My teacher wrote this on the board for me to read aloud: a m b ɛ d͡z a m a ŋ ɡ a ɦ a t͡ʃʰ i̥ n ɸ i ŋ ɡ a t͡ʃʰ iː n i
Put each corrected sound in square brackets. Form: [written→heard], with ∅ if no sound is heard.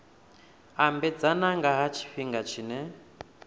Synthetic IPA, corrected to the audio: a m b ɛ d͡z a [m→n] a ŋ ɡ a ɦ a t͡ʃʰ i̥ [n→∅] ɸ i ŋ ɡ a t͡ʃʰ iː n [i→ɛ]